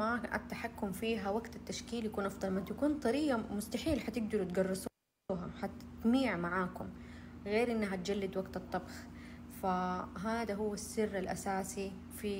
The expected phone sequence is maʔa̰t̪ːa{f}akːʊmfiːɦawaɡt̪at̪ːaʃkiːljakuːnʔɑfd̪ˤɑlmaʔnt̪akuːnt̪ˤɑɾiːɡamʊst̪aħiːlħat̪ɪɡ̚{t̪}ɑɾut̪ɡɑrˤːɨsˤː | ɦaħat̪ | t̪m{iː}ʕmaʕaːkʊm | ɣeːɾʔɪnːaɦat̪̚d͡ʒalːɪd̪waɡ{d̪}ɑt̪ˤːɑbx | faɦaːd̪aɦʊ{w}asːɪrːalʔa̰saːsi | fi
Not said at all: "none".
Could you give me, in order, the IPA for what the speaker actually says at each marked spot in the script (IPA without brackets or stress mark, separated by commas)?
ħ, d̪, iː, t̪, wː